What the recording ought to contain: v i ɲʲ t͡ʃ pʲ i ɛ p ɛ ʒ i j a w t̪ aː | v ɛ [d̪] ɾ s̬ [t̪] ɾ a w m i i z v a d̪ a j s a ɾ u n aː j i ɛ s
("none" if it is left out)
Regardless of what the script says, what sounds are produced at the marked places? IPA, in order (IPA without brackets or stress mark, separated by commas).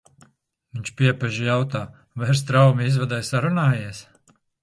none, t̪